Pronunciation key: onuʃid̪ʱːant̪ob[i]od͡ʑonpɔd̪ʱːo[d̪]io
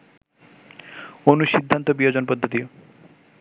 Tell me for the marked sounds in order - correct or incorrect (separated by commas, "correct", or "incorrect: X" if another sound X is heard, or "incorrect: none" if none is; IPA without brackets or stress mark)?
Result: correct, incorrect: t̪